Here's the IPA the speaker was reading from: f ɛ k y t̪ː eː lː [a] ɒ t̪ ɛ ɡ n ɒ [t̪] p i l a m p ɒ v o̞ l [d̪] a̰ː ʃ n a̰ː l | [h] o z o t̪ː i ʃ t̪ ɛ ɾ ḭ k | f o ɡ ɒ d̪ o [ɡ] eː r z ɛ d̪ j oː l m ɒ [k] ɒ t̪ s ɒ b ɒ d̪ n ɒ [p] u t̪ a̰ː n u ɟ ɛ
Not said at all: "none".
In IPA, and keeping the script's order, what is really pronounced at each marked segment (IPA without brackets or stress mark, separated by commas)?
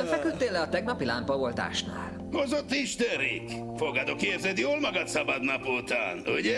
ɛ, none, t̪, h, k, ɡ, p